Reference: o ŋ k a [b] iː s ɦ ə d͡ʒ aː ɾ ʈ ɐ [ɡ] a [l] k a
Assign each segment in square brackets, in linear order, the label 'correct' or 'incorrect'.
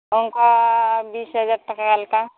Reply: correct, incorrect: k, correct

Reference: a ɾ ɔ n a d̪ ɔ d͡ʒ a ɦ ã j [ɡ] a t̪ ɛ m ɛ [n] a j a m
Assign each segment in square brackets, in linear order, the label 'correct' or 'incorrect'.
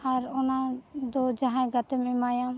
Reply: correct, incorrect: m

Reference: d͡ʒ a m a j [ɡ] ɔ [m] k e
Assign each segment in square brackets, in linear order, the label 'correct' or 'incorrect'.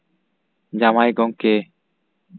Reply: correct, incorrect: ŋ

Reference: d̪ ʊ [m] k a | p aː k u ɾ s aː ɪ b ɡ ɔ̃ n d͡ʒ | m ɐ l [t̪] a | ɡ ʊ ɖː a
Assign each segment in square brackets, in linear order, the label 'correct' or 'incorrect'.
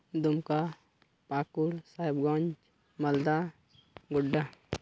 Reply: correct, incorrect: d̪

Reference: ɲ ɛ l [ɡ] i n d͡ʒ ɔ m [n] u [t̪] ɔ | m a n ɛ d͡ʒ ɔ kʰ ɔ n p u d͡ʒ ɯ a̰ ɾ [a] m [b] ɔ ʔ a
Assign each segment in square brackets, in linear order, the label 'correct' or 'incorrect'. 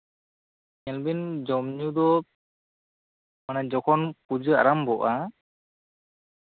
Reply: incorrect: b, incorrect: ɲ, incorrect: d̪, correct, correct

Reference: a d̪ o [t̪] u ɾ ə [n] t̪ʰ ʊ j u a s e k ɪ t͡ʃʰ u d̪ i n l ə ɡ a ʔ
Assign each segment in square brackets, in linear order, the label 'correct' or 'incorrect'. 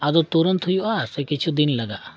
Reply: correct, correct

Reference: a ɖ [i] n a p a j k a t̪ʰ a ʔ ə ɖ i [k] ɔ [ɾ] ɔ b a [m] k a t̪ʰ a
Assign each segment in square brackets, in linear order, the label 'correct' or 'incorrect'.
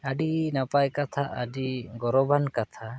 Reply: correct, incorrect: ɡ, correct, incorrect: n

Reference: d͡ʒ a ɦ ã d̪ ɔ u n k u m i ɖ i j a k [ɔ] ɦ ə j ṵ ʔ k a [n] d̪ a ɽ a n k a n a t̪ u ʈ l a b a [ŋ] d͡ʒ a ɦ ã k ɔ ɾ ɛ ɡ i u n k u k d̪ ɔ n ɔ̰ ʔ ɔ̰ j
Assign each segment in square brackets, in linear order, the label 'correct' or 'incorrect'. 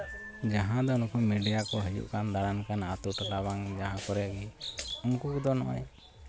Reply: correct, correct, correct

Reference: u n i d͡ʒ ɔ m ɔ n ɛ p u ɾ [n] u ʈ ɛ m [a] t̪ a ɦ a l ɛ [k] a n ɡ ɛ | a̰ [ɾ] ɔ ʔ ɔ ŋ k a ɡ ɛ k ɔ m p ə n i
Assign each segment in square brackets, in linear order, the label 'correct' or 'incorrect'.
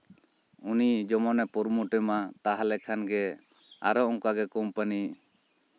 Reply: incorrect: m, correct, incorrect: kʰ, correct

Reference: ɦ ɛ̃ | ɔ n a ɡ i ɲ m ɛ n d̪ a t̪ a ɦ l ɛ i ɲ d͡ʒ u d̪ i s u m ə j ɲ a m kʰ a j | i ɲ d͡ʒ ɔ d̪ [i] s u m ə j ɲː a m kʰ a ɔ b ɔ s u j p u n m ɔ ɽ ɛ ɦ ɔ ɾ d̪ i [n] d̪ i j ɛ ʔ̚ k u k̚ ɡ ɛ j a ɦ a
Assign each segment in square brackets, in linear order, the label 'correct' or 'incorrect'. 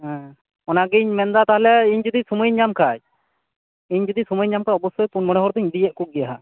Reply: correct, incorrect: ɲ

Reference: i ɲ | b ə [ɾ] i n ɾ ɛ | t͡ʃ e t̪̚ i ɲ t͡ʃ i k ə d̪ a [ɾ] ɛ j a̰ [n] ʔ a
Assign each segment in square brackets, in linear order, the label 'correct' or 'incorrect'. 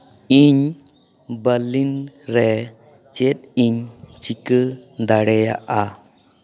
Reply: incorrect: l, incorrect: ɽ, incorrect: none

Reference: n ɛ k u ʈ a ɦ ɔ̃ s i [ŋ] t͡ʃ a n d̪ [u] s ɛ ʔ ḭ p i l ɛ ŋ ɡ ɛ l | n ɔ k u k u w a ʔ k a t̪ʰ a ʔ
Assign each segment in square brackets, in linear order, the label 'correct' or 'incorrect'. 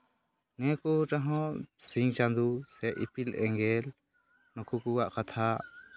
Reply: correct, correct

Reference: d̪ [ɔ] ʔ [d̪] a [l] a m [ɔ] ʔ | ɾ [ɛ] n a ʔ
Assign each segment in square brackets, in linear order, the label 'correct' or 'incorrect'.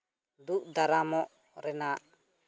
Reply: incorrect: u, correct, incorrect: ɾ, correct, correct

